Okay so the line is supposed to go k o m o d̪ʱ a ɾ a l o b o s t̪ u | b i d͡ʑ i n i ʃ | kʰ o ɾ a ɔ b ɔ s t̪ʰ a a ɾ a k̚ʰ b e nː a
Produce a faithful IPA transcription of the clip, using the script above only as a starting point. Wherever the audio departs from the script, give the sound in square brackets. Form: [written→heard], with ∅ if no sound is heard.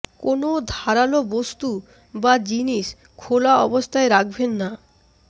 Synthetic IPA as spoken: k o [m→n] o d̪ʱ a ɾ a l o b o s t̪ u | b [i→a] d͡ʑ i n i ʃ | kʰ o [ɾ→l] a ɔ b [ɔ→o] s t̪ʰ a [a→e] ɾ a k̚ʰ b e nː a